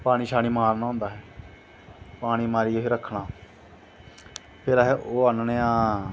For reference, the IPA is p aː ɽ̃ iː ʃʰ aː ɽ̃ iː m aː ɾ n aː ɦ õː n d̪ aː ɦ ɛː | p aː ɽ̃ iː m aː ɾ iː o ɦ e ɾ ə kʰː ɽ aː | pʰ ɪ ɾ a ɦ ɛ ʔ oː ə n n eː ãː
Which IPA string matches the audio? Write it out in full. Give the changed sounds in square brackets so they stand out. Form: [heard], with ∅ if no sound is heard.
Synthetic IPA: p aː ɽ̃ iː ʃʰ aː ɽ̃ iː m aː ɾ n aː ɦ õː n d̪ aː ɦ ɛː | p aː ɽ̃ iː m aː ɾ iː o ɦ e ɾ ə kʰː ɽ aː | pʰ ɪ ɾ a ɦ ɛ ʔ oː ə n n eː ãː